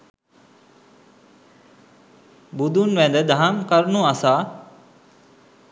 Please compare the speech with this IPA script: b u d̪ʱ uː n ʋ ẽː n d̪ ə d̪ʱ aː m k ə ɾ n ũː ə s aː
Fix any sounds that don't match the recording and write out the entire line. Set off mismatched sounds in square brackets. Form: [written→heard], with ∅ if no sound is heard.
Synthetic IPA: b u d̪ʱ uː n ʋ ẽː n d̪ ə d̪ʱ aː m k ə ɾ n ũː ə s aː